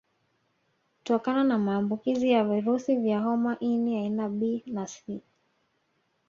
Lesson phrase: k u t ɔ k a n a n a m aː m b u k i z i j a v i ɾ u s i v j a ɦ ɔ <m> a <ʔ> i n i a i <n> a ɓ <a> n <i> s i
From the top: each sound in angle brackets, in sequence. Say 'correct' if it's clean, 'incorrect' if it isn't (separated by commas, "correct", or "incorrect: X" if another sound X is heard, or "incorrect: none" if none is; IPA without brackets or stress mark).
correct, correct, correct, incorrect: i, incorrect: a